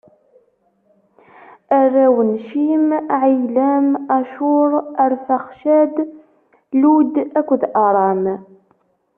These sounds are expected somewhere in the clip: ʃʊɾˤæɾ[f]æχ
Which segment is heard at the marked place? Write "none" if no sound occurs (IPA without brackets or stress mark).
f